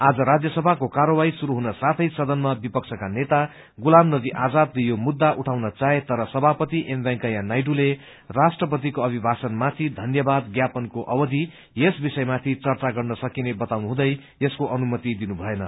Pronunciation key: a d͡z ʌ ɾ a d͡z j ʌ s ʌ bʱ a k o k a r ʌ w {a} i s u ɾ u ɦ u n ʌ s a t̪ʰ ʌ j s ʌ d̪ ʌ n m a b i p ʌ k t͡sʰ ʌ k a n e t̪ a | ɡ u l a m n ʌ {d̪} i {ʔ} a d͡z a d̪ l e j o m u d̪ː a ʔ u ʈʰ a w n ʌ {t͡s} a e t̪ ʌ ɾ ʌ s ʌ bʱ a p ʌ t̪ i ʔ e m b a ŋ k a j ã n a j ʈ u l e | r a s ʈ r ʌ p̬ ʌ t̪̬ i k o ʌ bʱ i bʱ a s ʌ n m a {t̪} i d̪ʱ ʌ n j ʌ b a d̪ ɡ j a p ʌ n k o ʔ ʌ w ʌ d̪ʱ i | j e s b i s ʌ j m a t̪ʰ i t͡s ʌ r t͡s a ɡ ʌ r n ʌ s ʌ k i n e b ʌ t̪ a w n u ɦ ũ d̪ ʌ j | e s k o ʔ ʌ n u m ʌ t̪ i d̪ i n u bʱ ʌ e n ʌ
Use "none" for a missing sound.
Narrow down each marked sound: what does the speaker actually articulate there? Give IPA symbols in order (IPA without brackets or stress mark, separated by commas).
a, d̪, ʔ, t͡s, t̪ʰ